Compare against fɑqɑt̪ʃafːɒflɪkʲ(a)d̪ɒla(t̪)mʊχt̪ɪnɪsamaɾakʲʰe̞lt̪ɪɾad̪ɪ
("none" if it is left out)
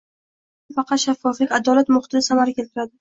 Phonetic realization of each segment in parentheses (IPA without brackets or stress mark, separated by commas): a, t̪